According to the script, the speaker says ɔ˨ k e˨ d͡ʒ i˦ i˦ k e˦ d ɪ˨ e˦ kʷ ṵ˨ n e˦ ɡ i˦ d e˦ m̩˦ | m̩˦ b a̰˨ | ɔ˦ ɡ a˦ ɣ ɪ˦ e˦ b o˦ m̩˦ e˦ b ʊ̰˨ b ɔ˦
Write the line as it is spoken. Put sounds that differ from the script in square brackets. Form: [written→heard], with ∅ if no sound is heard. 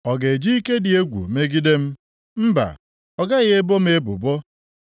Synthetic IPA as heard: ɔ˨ [k→ɡ] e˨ d͡ʒ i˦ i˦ k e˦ d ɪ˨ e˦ [kʷ→ɡʷ] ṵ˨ [n→m] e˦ ɡ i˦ d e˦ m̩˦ | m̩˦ b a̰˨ | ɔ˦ ɡ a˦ ɣ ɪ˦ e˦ b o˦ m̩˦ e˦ b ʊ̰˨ b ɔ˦